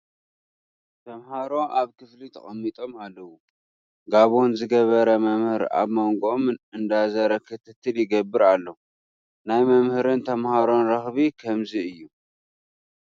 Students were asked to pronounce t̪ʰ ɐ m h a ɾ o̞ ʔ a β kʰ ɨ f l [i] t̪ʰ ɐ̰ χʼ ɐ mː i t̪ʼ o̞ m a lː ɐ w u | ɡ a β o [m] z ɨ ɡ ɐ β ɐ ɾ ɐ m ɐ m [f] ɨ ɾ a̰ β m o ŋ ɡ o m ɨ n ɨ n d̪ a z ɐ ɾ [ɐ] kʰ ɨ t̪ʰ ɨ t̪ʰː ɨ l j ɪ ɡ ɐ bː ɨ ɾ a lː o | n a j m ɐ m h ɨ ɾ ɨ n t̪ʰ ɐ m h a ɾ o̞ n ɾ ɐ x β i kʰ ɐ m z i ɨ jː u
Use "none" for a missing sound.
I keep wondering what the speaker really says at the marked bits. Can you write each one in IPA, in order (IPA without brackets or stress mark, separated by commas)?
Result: i, n, h, ɐ